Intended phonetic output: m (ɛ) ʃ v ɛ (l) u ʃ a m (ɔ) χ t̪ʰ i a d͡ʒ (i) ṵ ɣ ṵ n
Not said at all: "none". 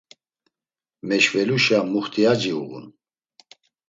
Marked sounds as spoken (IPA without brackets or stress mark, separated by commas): ɛ, l, u, i